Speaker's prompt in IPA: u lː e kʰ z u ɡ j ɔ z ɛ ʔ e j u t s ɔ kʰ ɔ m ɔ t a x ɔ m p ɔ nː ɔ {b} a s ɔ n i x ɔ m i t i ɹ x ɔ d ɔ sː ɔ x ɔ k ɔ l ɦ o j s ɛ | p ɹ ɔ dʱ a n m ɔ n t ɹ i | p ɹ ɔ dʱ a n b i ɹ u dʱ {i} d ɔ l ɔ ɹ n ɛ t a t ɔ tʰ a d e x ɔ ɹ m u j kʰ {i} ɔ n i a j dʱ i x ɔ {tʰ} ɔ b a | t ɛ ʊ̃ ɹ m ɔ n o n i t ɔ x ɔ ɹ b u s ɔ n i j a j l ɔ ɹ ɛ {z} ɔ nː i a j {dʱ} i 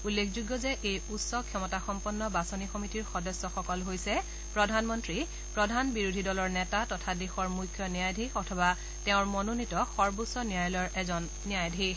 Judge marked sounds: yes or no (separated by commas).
yes, yes, no, yes, yes, yes